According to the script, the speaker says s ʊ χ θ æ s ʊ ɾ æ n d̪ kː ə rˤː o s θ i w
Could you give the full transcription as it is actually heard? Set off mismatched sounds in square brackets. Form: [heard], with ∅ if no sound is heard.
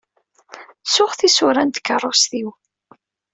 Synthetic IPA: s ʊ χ θ [i] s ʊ ɾ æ n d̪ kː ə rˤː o s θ i w